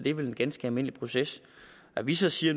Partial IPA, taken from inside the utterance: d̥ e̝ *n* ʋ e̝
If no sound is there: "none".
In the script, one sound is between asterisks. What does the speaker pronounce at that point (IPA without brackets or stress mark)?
none